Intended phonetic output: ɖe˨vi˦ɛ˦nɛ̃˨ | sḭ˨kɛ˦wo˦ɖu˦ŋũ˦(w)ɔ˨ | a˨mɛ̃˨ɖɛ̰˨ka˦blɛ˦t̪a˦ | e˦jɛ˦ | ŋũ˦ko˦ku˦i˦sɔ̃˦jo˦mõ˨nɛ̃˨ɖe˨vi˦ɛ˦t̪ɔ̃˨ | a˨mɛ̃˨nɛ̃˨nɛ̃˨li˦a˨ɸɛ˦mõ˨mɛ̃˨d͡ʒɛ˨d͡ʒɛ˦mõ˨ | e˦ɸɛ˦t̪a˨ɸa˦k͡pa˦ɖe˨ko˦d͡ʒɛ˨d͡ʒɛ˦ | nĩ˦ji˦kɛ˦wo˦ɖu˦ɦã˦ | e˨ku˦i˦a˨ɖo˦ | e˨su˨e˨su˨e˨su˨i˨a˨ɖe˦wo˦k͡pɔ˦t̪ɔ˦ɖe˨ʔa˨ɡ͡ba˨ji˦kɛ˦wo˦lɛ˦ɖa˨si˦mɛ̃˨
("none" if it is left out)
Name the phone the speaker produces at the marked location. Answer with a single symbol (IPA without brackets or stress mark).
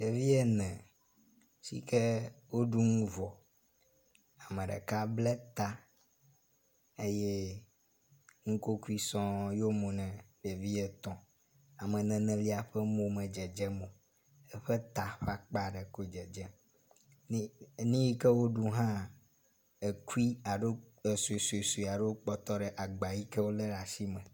v